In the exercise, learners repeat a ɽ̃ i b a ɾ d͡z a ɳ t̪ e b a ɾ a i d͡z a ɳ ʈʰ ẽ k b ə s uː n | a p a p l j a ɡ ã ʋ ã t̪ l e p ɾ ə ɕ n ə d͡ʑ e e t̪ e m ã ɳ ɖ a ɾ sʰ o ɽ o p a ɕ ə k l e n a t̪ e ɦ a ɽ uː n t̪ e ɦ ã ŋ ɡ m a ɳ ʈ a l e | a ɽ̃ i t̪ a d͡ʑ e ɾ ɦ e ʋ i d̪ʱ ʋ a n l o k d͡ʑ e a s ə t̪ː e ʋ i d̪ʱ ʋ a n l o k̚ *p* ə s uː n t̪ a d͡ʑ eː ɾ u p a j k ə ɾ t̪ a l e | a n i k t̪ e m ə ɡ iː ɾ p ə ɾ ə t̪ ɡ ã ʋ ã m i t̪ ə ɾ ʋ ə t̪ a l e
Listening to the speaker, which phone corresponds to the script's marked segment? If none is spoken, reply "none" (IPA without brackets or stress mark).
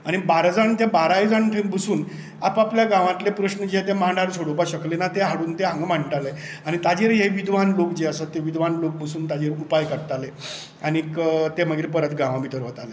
b